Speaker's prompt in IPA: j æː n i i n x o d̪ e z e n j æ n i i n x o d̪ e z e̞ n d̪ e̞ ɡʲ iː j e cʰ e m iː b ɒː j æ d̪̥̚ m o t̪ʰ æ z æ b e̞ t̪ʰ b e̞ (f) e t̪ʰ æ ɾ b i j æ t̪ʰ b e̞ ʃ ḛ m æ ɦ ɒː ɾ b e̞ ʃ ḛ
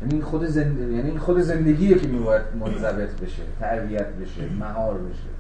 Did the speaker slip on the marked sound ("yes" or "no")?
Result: yes